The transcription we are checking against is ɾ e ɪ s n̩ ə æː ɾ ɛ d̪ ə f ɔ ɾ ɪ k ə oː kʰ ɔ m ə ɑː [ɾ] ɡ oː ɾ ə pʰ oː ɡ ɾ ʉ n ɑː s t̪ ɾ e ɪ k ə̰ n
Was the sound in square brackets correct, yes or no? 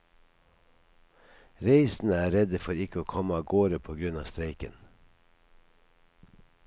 no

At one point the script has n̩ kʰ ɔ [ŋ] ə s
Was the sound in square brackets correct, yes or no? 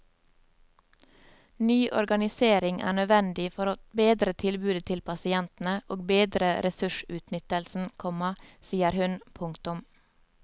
no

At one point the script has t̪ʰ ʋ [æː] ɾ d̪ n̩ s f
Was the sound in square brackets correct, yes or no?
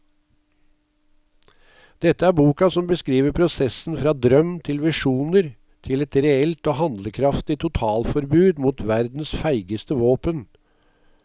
no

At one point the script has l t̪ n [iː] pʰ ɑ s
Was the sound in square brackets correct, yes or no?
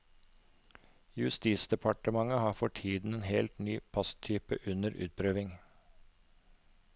no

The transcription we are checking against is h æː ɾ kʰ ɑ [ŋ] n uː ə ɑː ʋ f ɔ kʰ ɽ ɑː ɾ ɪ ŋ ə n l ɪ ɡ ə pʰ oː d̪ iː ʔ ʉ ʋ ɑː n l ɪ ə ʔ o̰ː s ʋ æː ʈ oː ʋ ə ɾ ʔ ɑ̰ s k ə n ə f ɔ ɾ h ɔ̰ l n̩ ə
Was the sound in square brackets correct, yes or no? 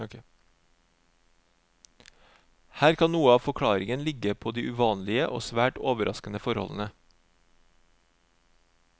no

